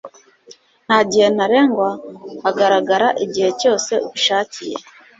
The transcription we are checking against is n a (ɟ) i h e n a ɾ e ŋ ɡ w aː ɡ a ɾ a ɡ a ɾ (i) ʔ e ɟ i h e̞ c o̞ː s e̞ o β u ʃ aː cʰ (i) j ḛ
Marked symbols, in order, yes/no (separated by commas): yes, no, yes